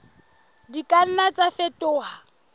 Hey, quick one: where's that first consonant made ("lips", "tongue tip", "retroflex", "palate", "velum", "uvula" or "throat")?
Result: tongue tip